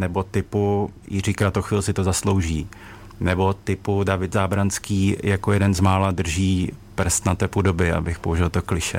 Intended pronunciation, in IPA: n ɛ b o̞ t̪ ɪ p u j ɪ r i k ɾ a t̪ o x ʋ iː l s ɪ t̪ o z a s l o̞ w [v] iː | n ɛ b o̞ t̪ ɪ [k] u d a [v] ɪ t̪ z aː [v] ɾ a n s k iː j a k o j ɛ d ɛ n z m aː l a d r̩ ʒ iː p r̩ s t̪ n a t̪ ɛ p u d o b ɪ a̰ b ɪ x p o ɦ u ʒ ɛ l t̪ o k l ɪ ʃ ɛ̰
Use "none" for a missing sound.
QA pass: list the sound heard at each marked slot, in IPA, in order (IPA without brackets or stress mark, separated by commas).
ʒ, p, v, b